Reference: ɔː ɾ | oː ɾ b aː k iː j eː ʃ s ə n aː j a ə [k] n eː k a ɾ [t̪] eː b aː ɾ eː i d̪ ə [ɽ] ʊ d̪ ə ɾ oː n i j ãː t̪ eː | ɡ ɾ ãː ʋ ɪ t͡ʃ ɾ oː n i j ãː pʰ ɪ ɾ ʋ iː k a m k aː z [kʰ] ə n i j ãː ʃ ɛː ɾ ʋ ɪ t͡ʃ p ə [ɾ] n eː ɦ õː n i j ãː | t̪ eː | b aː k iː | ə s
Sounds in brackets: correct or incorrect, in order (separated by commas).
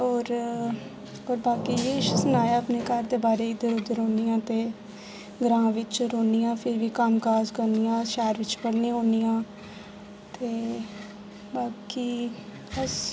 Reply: incorrect, incorrect, incorrect, incorrect, incorrect